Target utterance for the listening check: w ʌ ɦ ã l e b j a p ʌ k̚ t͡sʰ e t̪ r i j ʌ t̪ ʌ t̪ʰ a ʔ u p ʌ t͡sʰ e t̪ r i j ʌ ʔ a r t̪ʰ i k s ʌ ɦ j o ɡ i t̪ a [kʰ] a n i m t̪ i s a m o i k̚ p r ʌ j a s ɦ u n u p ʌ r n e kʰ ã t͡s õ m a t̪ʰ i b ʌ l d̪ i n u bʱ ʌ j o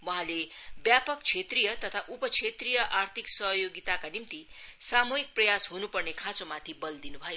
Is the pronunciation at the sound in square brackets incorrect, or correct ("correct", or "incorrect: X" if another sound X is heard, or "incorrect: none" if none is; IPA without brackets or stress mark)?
incorrect: k